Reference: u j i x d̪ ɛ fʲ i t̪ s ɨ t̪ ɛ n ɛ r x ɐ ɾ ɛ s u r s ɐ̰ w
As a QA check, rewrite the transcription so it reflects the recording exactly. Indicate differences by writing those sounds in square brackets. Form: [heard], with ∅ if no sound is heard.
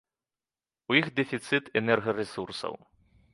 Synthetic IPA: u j i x d̪ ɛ fʲ i t̪ s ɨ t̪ ɛ n ɛ r [ɣ] ɐ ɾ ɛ s u r s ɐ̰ w